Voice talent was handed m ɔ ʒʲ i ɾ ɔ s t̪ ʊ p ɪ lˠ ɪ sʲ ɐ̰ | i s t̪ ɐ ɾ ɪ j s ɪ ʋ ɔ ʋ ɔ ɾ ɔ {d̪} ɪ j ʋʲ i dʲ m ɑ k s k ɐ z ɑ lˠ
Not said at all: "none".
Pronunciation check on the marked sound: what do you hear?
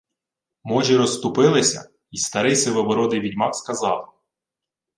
d̪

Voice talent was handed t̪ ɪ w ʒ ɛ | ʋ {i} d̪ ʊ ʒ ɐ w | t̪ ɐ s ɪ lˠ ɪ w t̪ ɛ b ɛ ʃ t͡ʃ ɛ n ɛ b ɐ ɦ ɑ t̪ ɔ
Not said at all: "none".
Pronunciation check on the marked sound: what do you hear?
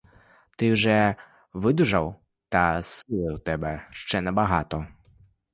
ɪ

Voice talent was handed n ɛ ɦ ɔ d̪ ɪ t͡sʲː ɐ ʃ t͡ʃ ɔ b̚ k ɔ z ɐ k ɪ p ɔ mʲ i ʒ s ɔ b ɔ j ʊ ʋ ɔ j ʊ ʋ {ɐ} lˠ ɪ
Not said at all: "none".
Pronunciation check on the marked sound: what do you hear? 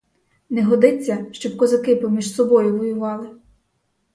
ɑ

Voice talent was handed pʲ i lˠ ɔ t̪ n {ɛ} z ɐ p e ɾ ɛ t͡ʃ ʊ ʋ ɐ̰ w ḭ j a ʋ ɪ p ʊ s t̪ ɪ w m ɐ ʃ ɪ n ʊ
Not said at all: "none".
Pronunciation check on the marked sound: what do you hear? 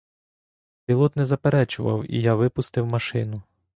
ɛ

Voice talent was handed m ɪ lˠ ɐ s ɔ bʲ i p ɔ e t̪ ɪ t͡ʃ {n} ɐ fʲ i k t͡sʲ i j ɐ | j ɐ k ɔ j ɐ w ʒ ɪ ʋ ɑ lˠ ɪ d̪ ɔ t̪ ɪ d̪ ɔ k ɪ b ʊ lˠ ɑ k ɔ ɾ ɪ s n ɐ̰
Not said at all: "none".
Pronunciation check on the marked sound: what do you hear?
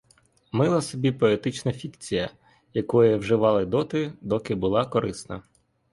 n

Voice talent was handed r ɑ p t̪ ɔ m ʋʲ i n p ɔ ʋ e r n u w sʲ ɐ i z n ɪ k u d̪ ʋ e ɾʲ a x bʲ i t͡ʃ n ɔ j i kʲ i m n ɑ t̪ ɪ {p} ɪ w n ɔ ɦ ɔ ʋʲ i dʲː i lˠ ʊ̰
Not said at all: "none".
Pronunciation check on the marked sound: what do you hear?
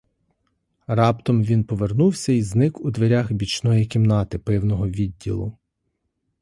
p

